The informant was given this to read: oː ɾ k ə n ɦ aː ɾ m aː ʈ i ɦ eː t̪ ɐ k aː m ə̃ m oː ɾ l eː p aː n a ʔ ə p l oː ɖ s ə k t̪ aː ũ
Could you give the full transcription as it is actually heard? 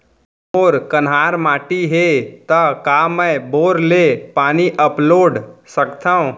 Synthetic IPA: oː ɾ k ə n ɦ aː ɾ m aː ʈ i ɦ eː t̪ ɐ k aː m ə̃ b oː ɾ l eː p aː n i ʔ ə p l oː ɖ s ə k t̪ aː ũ